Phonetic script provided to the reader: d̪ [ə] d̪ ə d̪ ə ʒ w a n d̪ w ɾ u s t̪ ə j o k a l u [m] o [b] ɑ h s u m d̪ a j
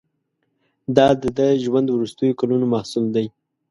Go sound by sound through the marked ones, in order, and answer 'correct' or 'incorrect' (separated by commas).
incorrect, incorrect, incorrect